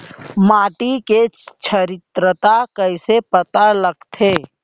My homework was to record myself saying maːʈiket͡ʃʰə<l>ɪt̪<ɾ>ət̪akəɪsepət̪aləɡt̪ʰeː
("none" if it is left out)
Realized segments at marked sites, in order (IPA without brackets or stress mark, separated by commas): ɾ, ɾ